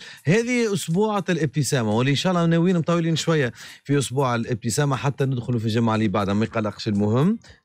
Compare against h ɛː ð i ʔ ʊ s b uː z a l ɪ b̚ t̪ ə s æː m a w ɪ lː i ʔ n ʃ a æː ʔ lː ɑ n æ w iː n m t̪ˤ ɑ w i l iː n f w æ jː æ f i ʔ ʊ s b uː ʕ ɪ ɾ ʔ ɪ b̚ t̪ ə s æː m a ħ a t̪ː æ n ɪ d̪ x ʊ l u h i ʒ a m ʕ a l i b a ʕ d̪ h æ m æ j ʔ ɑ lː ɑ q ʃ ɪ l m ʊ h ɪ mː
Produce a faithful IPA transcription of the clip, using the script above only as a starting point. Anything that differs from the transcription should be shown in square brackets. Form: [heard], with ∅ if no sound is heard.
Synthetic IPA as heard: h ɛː ð i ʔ ʊ s b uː [ʕ] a l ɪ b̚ t̪ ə s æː m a w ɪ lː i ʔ n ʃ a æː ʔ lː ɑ n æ w iː n m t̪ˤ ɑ w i l iː n [ʃ] w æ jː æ f i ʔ ʊ s b uː ʕ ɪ [l] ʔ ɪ b̚ t̪ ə s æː m a ħ a t̪ː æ n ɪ d̪ x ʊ l u [f] i ʒ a m ʕ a l i b a ʕ d̪ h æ m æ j [q] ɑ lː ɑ q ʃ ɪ l m ʊ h ɪ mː